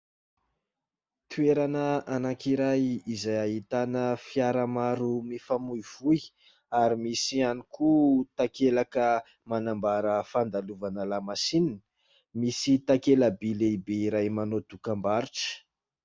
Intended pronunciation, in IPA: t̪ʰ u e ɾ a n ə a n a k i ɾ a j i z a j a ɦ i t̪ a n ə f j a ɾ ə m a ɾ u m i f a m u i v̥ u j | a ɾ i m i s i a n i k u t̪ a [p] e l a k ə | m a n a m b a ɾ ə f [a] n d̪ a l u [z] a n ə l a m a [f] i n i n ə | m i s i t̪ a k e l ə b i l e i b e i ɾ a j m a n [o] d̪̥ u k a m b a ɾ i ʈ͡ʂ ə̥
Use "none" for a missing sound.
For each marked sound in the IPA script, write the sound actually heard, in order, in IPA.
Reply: k, a, v, s, o

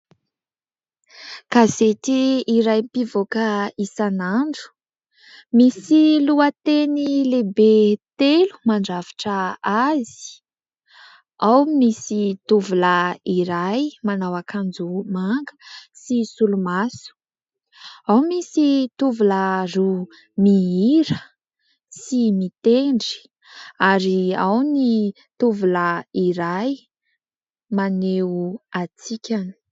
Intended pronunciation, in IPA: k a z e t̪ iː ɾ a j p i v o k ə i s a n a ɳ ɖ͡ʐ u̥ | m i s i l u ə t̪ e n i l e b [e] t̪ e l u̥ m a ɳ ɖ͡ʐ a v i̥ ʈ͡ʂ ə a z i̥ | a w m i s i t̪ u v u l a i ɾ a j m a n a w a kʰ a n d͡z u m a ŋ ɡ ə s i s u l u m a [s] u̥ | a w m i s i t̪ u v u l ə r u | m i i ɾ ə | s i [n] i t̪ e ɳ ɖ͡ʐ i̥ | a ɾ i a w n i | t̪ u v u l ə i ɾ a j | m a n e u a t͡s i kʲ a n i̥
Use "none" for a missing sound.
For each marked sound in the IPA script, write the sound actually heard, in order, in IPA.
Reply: e, s, m

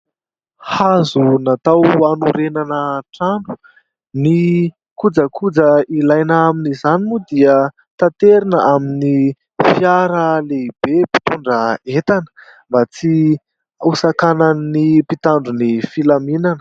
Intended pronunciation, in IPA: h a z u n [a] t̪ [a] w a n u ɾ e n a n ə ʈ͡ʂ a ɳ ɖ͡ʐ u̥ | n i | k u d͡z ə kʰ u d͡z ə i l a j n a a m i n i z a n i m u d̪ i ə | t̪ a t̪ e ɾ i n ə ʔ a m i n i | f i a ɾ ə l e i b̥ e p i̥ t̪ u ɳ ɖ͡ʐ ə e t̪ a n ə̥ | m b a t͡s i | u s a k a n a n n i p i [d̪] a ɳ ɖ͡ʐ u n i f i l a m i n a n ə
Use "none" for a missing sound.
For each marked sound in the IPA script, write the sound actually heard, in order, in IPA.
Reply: a, a, t̪

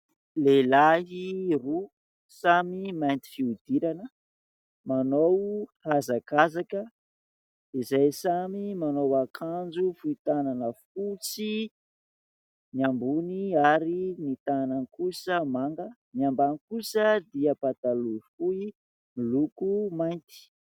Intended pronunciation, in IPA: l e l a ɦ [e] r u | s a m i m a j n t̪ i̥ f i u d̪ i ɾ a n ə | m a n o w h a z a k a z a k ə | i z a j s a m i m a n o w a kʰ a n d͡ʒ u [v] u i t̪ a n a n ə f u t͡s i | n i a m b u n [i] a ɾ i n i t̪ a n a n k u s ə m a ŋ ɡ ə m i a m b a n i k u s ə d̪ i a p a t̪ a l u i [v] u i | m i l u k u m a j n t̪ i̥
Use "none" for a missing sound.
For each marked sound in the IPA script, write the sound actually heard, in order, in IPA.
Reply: i, f, i, f

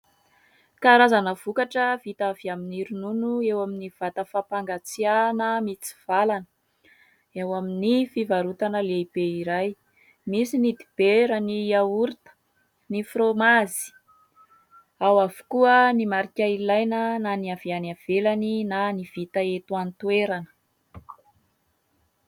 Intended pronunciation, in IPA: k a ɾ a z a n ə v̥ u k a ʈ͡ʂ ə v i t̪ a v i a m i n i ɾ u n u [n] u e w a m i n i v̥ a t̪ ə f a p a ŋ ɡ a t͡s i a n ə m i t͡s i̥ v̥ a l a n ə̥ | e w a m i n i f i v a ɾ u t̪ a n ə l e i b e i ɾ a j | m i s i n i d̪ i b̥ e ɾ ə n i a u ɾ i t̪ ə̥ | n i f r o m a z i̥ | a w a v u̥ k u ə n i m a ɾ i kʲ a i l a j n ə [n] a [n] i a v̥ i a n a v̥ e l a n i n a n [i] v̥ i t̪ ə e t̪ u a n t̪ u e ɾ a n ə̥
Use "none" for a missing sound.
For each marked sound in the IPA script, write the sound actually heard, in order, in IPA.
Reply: n, n, n, i

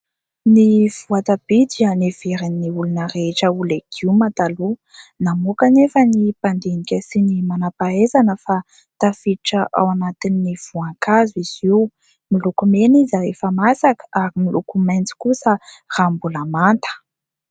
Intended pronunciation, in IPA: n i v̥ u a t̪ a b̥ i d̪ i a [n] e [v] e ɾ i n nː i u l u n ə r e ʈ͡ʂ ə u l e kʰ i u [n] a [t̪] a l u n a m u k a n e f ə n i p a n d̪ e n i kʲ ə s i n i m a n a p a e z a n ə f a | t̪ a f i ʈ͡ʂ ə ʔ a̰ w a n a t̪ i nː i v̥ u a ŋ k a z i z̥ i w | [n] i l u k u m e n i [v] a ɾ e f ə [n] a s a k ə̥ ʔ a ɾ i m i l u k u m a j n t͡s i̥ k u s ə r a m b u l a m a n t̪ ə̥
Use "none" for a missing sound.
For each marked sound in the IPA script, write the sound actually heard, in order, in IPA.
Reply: n, v, m, t̪, m, z, m

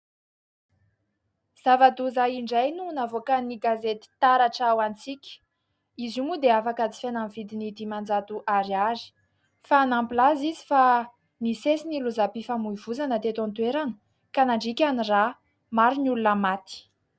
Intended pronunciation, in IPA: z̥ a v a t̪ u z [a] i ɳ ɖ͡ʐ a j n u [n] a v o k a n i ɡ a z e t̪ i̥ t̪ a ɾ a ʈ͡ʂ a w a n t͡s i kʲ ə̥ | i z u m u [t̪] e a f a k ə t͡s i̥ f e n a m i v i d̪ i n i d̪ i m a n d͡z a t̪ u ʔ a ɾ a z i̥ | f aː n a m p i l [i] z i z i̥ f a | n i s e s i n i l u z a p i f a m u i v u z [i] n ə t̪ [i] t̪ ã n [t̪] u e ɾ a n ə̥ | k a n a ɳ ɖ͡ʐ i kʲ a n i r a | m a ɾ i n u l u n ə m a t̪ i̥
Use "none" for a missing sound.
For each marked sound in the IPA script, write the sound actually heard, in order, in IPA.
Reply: a, n, d̪, a, a, e, t̪

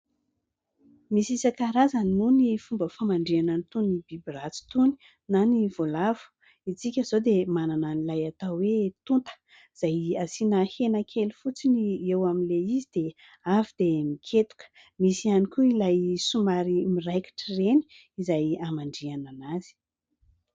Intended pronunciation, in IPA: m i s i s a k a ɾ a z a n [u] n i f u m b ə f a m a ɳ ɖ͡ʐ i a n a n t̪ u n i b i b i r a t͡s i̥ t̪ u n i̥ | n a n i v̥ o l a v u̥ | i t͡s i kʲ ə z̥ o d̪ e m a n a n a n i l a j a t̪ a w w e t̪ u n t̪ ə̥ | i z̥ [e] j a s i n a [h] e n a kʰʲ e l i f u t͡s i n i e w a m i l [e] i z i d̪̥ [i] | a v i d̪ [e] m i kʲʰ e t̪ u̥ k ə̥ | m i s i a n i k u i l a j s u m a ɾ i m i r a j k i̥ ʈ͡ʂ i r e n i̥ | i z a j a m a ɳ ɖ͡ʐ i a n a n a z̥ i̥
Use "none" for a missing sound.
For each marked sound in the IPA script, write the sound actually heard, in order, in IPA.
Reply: u, a, h, e, e, e

